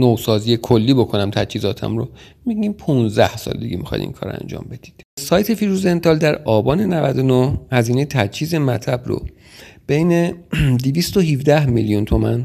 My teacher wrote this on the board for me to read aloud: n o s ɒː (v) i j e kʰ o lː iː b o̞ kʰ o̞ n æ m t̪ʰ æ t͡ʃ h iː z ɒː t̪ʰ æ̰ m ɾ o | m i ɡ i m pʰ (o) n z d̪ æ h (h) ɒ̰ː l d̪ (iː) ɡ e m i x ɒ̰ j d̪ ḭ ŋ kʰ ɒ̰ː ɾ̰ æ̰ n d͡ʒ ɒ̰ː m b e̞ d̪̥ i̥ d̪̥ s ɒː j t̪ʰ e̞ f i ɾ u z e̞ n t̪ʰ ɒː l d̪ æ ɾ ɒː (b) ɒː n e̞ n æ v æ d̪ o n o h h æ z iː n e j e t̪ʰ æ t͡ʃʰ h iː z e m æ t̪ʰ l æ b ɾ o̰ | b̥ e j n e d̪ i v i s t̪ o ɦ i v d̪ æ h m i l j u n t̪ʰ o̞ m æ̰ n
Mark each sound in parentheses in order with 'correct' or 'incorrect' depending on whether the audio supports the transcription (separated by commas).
incorrect, incorrect, incorrect, incorrect, correct